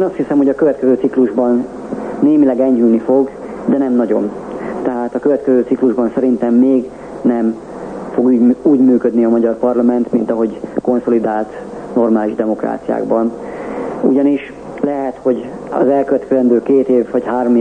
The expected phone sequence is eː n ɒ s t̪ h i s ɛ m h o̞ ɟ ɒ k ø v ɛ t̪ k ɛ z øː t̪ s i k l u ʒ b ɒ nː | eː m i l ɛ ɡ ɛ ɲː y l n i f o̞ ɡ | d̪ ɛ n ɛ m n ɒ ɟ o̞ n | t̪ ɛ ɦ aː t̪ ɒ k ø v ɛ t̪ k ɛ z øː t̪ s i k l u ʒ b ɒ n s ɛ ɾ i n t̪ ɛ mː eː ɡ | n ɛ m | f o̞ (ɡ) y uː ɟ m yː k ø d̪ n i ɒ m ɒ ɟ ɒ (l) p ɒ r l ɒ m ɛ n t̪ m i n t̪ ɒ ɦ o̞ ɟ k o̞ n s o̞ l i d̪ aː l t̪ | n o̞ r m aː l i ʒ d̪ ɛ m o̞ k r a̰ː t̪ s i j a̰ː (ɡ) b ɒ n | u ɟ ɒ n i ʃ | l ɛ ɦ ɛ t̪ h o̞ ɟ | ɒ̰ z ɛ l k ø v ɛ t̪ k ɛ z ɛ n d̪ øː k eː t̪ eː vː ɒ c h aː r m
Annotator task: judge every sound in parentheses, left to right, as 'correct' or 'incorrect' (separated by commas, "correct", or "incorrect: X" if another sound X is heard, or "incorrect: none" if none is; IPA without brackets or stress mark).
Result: correct, incorrect: r, correct